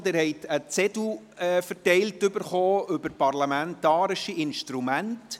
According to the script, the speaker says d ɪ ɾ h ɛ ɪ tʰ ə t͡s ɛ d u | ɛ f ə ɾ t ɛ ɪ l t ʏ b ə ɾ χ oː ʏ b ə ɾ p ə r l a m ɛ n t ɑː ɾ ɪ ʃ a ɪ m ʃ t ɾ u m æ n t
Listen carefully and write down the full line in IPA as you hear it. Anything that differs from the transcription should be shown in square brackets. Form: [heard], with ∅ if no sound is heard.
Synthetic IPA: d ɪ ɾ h ɛ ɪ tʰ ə t͡s ɛ d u | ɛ f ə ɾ t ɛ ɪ l t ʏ b ə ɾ χ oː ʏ b ə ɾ p [ɑ] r l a m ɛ n t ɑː ɾ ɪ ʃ [i] ɪ [n] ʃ t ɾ u m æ n t